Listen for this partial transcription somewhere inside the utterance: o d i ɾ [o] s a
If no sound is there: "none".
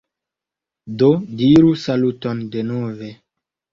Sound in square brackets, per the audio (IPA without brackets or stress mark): u